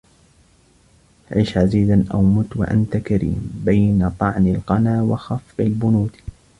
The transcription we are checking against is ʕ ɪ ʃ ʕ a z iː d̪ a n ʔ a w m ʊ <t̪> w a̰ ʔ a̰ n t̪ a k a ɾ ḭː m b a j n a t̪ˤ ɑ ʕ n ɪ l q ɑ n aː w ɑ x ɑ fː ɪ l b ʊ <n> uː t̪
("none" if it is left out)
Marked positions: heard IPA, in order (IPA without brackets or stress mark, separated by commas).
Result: t̪, n